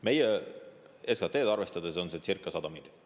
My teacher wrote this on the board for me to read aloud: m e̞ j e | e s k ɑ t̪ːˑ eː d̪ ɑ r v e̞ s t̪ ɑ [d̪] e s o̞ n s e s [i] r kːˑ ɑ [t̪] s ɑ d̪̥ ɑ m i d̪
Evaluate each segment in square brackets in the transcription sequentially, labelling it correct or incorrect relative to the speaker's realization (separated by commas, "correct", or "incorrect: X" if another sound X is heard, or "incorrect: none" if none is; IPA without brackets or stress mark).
correct, correct, incorrect: none